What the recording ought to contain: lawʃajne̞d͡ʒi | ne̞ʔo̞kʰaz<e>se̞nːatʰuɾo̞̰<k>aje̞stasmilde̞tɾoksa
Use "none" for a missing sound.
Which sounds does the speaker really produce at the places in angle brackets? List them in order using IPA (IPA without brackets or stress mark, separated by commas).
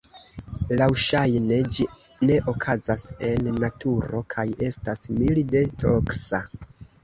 a, kʰ